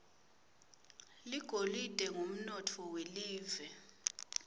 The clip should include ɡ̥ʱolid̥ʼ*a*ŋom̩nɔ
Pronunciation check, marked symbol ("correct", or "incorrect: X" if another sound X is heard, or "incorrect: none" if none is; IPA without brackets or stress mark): incorrect: ɛ